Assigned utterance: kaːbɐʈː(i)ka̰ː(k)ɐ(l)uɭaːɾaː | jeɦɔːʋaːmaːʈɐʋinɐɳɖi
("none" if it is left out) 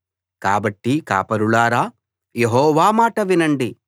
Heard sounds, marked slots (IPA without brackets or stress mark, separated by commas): i, p, ɾ